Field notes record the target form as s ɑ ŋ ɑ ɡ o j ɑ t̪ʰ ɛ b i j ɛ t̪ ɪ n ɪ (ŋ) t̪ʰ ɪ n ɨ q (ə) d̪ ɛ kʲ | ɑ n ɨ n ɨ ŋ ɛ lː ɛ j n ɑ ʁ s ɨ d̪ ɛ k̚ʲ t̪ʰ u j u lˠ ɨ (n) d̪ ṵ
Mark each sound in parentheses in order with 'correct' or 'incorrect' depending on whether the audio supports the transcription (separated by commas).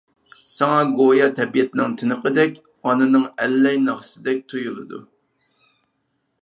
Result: correct, correct, incorrect